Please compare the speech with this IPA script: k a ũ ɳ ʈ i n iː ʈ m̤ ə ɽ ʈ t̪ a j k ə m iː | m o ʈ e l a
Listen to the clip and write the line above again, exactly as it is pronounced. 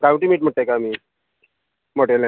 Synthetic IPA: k a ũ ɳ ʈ i m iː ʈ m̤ ə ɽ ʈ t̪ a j k a m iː | m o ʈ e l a